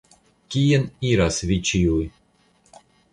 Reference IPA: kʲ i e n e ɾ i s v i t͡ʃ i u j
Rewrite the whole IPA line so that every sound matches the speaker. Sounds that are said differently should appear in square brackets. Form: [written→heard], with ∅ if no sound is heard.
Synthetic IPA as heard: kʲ i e n [e→i] ɾ [i→a] s v i t͡ʃ i u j